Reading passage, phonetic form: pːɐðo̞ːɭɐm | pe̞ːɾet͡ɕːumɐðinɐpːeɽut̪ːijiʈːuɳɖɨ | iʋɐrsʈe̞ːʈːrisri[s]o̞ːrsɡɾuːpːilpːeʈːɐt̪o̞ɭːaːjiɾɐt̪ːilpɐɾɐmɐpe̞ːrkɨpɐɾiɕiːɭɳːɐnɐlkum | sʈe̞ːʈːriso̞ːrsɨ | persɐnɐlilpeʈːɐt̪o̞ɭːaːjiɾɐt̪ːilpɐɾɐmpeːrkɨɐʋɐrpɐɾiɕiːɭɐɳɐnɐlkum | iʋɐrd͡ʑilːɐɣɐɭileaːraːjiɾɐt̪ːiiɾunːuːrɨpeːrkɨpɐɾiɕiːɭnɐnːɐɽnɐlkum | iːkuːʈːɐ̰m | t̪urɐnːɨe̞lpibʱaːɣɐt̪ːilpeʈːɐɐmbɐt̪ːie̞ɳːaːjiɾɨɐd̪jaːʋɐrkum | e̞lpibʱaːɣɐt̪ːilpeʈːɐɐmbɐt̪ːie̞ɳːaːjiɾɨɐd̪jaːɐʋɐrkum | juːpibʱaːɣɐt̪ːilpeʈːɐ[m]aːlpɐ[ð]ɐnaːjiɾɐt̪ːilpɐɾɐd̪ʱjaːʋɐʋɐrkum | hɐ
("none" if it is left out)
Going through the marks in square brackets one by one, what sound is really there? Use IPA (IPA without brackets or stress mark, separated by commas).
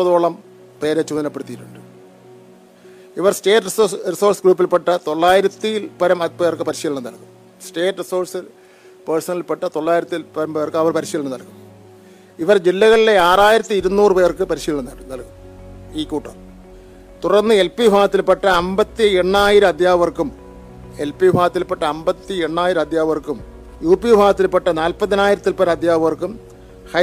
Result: s, n, ð